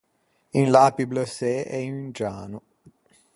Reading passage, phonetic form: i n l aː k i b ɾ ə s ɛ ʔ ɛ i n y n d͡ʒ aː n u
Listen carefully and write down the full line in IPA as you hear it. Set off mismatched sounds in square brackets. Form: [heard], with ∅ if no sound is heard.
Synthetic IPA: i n l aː [p] i b [l] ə s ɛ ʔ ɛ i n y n d͡ʒ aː n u